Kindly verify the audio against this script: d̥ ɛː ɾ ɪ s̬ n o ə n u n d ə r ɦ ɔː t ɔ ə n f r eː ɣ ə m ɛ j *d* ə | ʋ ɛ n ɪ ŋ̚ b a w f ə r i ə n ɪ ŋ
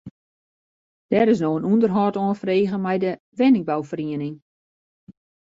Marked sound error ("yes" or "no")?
no